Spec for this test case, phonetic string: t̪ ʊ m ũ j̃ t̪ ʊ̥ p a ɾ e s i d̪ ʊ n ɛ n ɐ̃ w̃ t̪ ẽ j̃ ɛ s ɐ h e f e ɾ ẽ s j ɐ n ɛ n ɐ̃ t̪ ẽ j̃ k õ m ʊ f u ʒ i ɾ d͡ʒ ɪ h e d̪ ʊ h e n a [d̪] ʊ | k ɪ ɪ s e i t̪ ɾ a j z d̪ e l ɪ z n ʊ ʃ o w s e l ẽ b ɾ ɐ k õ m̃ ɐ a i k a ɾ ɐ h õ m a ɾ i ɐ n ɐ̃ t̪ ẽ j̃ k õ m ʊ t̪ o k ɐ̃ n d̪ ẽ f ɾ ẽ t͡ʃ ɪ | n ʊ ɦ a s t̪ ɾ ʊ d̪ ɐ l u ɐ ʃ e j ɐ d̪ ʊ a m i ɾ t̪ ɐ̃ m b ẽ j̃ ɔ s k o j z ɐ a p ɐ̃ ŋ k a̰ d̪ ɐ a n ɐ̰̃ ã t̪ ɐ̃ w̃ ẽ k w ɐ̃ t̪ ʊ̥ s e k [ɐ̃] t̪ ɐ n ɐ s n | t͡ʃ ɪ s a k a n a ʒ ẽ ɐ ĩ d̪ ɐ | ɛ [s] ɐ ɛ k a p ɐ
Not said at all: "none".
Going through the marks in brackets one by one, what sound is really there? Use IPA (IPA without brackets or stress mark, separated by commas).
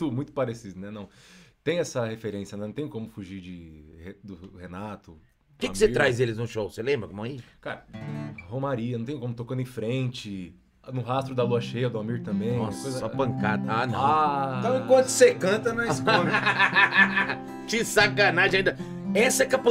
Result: t̪, ɐ̃, s